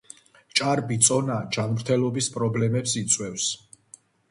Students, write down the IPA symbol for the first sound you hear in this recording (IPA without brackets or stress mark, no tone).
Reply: t͡ʃʼ